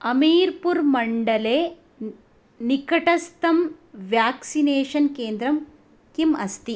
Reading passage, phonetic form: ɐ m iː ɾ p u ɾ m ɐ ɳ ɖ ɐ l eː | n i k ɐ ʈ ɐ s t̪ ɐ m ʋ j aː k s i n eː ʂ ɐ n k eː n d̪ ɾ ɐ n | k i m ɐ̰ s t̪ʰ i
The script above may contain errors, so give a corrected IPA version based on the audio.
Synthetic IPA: ɐ m iː ɾ p u ɾ m ɐ ɳ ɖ ɐ l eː | n i k ɐ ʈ ɐ s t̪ ɐ m ʋ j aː k s i n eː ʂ ɐ n k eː n d̪ ɾ ɐ m | k i m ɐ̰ s t̪ i